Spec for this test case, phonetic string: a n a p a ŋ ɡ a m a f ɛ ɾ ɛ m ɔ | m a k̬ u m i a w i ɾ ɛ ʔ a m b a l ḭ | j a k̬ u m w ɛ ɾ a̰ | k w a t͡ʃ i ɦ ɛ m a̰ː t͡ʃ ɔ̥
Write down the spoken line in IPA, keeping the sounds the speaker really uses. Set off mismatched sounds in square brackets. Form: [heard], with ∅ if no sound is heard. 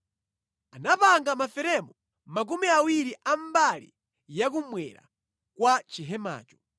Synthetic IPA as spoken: a n a p a ŋ ɡ a m a f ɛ ɾ ɛ m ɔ | m a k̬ u m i a w i ɾ [i] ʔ a m b a l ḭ | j a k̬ u m w ɛ ɾ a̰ | k w a t͡ʃ i ɦ ɛ m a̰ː t͡ʃ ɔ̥